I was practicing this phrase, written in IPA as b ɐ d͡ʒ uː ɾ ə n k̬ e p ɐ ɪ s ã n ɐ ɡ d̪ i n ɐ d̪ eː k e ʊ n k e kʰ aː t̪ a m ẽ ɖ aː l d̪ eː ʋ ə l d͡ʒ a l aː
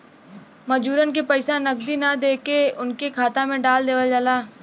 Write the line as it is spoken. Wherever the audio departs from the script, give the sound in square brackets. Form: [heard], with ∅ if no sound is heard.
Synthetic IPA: [m] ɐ d͡ʒ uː ɾ ə n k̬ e p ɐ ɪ s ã n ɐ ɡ d̪ i n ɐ d̪ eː k e ʊ n k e kʰ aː t̪ a m ẽ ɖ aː l d̪ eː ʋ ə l d͡ʒ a l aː